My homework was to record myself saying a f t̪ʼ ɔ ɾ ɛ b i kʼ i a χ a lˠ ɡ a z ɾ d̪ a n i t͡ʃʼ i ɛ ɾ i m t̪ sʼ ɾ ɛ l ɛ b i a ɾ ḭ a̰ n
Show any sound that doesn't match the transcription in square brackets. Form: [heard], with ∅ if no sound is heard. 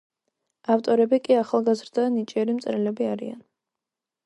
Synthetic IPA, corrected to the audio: a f t̪ʼ ɔ ɾ ɛ b i kʼ i a χ a lˠ ɡ a z ɾ d̪ a n i t͡ʃʼ i ɛ ɾ i m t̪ sʼ ɾ ɛ l ɛ b i a ɾ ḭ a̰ n